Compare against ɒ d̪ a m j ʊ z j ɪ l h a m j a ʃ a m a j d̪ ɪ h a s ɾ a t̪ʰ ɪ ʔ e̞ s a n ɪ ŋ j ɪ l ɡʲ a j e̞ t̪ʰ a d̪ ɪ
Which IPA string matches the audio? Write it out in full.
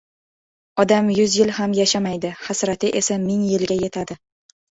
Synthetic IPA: ɒ d̪ a m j ʊ z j ɪ l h a m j a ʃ a m a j d̪ ɪ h a s ɾ a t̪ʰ ɪ ʔ e̞ s a m ɪ ŋ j ɪ l ɡʲ a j e̞ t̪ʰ a d̪ ɪ